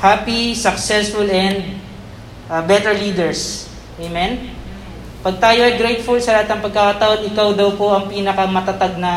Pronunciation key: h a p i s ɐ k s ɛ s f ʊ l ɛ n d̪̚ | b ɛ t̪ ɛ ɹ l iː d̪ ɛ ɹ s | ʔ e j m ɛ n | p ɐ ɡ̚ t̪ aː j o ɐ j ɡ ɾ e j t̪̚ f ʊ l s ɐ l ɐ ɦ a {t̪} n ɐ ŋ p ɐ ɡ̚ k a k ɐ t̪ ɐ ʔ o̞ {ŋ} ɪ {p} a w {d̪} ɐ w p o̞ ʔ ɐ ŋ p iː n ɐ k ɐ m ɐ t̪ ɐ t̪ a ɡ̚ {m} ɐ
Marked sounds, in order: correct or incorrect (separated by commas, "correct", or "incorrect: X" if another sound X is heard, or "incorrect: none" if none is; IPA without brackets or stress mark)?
correct, incorrect: n, incorrect: k, correct, incorrect: n